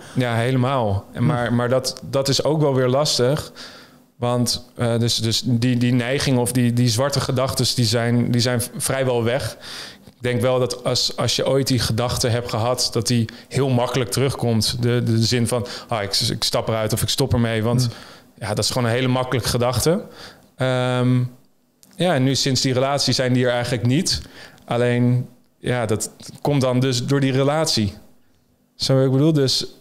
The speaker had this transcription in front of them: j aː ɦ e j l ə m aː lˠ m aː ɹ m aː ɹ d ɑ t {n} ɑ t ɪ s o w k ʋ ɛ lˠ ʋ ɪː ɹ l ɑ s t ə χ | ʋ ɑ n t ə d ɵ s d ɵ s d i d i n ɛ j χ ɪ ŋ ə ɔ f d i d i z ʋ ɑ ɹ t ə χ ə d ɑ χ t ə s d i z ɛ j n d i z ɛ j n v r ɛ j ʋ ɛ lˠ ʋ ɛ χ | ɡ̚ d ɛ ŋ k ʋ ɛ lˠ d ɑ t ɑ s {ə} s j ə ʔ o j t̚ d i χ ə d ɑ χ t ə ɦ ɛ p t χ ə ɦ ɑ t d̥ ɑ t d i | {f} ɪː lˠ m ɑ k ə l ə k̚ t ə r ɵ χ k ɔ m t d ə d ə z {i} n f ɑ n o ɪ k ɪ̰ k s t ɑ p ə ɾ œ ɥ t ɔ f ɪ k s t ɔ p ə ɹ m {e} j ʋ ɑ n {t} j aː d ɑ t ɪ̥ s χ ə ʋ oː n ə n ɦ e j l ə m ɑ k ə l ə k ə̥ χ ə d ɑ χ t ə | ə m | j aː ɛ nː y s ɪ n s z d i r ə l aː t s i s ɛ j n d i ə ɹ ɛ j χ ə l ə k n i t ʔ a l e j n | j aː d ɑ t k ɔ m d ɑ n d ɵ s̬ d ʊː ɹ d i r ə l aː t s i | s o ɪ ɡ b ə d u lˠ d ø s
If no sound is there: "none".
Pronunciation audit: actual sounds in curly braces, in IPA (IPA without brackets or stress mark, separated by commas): d, ɑ, h, ɪ, e, t